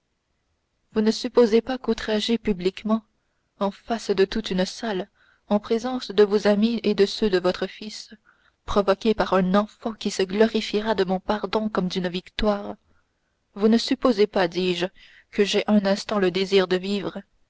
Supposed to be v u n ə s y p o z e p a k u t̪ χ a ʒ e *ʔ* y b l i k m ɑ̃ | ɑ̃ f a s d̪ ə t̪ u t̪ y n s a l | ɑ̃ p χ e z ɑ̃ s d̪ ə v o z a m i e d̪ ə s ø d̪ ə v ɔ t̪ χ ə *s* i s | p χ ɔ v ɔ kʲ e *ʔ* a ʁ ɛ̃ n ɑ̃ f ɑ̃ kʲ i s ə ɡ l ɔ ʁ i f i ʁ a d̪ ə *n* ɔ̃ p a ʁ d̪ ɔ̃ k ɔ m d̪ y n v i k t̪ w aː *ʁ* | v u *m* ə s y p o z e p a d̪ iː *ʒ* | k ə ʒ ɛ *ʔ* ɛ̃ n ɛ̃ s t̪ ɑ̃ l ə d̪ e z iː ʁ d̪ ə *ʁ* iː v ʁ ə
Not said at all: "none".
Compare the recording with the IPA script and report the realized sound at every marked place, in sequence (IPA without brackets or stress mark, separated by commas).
p, f, p, m, ʁ, n, ʒ, ʔ, v